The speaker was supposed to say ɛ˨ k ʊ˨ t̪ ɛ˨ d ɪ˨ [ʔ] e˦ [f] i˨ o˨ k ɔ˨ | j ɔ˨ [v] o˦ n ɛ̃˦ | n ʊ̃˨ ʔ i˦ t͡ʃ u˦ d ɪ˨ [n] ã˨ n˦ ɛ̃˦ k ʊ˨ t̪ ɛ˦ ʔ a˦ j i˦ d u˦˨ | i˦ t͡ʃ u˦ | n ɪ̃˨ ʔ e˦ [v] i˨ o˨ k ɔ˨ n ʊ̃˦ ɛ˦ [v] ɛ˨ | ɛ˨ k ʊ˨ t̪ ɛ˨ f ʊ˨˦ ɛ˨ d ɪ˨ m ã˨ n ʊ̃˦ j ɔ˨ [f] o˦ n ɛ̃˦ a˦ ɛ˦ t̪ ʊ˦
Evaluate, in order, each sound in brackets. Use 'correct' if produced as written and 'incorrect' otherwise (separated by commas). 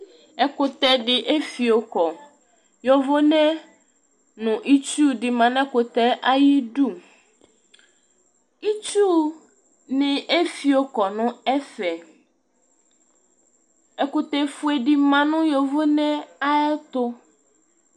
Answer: correct, correct, correct, incorrect, incorrect, incorrect, incorrect